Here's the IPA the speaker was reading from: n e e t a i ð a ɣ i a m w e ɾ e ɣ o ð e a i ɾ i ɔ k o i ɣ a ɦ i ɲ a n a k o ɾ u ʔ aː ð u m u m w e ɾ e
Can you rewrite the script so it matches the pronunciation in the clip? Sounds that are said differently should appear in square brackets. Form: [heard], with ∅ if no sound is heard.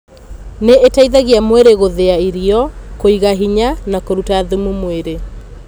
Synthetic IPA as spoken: n e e t a i ð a ɣ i a m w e ɾ e ɣ o ð e a i ɾ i ɔ k o i ɣ a ɦ i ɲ a n a k o ɾ u [t] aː ð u m u m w e ɾ e